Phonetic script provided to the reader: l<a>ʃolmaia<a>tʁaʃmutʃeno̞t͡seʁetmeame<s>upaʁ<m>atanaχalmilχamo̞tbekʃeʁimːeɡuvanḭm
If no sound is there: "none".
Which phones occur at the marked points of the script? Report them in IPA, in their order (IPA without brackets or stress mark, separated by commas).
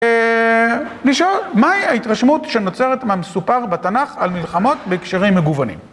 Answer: i, i, s, b